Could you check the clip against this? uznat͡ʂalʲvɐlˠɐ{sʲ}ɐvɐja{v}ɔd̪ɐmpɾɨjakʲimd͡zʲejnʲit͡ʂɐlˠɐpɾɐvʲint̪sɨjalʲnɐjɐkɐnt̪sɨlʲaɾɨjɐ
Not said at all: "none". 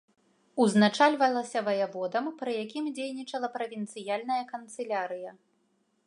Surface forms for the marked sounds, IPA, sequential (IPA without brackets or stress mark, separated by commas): sʲ, v